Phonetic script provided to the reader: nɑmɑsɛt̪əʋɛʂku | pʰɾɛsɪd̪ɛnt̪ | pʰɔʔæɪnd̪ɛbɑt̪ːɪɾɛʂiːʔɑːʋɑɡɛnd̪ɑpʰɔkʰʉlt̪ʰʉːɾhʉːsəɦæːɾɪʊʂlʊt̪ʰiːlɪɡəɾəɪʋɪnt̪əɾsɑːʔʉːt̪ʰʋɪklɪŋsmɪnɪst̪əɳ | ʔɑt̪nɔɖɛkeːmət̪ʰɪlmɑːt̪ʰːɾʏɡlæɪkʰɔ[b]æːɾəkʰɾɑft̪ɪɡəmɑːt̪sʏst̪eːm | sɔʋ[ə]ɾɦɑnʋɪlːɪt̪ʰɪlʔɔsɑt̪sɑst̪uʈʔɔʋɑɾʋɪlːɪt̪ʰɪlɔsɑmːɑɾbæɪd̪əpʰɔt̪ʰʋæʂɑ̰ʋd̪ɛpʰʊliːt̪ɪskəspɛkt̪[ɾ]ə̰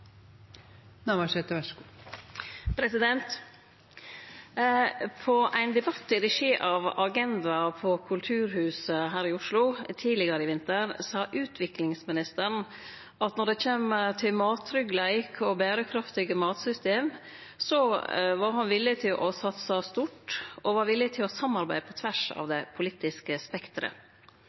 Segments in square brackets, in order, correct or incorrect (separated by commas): correct, incorrect, correct